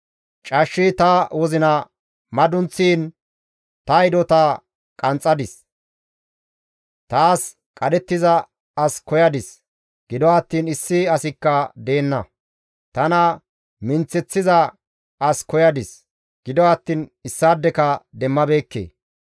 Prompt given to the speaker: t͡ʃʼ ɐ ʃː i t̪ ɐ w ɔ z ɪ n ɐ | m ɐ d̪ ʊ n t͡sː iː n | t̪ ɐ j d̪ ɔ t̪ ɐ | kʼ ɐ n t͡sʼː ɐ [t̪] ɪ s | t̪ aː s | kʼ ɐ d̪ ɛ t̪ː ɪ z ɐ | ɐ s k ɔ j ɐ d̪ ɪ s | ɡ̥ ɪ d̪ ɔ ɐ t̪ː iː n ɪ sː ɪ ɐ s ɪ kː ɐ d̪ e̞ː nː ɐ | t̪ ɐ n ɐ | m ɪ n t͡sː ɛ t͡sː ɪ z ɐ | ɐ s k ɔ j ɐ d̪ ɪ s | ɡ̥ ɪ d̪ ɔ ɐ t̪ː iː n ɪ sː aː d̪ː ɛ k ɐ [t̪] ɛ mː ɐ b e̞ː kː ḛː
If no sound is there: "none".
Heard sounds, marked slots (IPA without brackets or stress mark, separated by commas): d̪, d̪